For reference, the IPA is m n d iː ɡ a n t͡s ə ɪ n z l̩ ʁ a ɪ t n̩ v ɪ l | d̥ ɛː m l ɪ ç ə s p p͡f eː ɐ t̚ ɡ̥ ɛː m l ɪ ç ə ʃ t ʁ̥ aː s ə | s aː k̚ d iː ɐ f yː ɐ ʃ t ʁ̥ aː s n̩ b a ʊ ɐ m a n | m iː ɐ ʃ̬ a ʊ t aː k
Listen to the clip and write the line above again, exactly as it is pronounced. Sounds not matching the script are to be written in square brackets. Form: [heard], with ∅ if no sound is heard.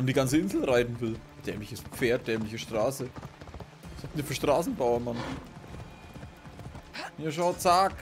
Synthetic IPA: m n d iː ɡ a n t͡s ə ɪ n z l̩ ʁ a ɪ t n̩ v ɪ l | d̥ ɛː m l ɪ ç ə s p p͡f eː ɐ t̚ [d̥] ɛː m l ɪ ç ə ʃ t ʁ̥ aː s ə | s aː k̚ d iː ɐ f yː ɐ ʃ t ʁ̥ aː s n̩ b a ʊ ɐ m a n | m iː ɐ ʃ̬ a ʊ [t͡s] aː k